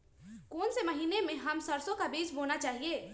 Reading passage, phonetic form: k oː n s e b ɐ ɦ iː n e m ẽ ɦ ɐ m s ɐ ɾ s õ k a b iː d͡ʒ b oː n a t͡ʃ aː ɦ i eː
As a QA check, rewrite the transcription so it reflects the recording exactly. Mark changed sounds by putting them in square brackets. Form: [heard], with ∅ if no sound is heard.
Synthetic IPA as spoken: k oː n s e [m] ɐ ɦ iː n e m ẽ ɦ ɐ m s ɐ ɾ s õ k a b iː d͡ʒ b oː n a t͡ʃ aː ɦ i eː